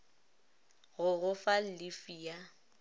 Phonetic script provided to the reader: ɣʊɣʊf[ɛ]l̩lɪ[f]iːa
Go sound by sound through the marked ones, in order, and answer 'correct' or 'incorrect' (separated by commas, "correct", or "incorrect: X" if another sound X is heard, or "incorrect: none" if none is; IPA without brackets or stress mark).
incorrect: a, correct